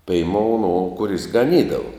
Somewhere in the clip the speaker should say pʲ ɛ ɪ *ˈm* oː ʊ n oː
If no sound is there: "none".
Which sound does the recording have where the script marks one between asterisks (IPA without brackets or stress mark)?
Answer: m